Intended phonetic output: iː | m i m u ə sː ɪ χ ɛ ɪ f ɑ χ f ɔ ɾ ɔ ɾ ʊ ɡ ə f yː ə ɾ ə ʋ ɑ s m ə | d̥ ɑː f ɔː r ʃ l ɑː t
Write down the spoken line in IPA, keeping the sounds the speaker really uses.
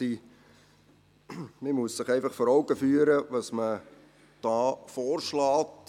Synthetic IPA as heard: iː | m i m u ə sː ɪ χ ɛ ɪ f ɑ χ f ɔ ɾ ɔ ʊ ɡ ə f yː ə ɾ ə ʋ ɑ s m ə | d̥ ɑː f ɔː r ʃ l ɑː t